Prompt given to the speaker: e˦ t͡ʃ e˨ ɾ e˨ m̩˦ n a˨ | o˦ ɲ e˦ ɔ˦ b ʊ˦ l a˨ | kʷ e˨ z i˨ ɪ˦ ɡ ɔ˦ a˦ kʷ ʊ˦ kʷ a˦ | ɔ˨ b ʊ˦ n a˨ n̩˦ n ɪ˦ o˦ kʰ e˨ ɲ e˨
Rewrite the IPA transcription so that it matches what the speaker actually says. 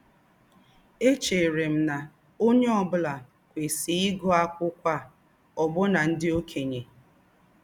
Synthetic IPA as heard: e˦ t͡ʃ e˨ ɾ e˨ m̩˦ n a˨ | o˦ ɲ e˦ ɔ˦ b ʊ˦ l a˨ | kʷ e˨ s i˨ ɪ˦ ɡ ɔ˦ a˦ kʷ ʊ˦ kʷ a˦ | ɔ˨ b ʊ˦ n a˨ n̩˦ d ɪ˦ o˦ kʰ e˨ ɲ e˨

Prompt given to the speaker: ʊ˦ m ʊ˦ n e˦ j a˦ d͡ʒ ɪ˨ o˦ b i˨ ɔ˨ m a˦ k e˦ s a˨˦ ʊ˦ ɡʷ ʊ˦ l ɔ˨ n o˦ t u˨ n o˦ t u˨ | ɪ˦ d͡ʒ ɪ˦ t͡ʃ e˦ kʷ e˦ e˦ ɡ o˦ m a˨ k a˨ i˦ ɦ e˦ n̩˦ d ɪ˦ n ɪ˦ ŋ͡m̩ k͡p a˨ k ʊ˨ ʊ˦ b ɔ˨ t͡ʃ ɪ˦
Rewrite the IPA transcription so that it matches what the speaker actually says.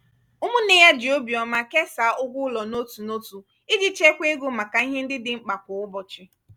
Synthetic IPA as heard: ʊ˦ m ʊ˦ n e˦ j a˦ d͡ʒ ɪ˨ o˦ b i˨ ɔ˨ m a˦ k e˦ s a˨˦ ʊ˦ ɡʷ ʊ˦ l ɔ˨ n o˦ t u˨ n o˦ t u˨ | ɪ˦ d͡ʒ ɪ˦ t͡ʃ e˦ kʷ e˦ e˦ ɡ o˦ m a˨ k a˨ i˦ ɦ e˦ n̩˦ d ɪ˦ d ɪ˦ ŋ͡m̩ k͡p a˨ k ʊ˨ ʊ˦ b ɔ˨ t͡ʃ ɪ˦

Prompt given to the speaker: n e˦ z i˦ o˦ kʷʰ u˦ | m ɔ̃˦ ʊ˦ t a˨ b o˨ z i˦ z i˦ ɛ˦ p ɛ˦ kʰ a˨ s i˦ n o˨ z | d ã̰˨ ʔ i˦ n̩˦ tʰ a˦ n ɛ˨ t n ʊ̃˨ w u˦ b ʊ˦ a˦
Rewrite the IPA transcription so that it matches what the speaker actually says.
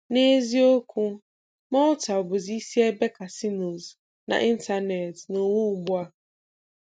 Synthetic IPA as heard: n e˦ z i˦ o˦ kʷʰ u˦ | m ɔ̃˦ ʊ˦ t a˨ b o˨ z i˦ s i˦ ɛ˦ b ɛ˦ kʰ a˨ s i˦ n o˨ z | n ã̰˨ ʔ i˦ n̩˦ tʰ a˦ n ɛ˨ t n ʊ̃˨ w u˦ b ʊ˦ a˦

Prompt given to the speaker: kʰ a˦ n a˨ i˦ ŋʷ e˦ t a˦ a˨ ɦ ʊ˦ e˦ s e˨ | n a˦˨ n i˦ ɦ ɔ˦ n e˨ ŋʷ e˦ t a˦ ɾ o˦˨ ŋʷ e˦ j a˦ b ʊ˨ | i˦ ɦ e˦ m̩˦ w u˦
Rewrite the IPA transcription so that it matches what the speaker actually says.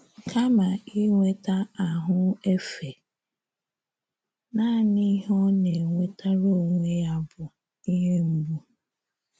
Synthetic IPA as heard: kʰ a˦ m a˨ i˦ ŋʷ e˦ t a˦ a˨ ɦ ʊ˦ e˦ f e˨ | n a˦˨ n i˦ ɦ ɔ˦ n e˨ ŋʷ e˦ t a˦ ɾ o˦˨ ŋʷ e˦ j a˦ b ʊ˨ | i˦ ɦ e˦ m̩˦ b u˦

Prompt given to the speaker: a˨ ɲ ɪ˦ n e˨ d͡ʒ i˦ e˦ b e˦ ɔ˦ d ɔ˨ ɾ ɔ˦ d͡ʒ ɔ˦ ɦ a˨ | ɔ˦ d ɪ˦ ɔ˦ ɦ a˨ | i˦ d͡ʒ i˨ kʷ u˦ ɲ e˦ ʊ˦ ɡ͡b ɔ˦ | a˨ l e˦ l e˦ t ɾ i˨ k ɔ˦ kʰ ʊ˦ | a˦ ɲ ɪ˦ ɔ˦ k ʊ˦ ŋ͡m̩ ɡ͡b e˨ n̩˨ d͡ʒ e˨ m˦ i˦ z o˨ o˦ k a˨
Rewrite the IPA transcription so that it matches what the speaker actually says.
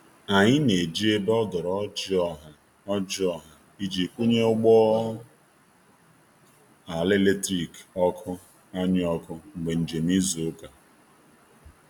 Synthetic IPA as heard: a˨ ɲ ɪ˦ n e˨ d͡ʒ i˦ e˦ b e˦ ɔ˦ d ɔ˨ ɾ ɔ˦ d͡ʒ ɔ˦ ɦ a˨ | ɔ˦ d͡ʒ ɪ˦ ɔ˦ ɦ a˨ | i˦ d͡ʒ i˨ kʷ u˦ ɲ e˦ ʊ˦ ɡ͡b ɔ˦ | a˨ l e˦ l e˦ t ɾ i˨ k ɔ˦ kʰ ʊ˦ | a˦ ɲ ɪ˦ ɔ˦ k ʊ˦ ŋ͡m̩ ɡ͡b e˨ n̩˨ d͡ʒ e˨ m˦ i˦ z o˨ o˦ k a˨

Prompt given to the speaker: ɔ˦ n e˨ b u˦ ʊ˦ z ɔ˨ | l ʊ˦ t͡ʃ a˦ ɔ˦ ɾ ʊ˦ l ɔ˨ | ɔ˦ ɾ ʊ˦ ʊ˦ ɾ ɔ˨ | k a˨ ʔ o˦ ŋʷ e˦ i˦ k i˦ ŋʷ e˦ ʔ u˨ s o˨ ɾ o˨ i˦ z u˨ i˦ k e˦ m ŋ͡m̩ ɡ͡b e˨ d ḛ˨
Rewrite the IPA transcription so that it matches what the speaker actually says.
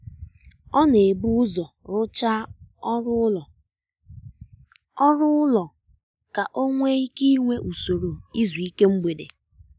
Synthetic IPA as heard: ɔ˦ n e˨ b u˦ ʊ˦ z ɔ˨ | ɾ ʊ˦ t͡ʃ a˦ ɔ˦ ɾ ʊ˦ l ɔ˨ | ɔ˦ ɾ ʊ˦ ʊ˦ l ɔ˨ | k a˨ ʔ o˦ ŋʷ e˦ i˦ k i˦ ŋʷ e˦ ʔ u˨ s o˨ ɾ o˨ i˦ z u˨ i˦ k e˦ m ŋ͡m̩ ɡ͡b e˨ d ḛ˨

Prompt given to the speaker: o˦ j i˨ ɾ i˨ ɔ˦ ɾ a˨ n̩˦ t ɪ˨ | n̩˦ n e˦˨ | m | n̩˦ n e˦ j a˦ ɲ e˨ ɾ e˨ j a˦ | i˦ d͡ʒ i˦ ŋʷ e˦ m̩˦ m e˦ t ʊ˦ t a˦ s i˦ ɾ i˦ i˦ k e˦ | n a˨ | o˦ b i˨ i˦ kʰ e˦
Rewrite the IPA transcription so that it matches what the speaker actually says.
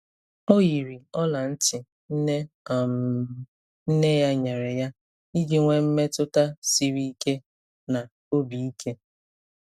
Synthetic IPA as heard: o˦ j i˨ ɾ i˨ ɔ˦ l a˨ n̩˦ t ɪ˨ | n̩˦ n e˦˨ | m | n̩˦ n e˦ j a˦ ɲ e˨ ɾ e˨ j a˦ | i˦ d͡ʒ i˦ ŋʷ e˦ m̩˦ m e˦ t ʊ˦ t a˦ s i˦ ɾ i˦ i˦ k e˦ | n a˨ | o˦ b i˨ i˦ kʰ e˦

